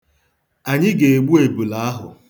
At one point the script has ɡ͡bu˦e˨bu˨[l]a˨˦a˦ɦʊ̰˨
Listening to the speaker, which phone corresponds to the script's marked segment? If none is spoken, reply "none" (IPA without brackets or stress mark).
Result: l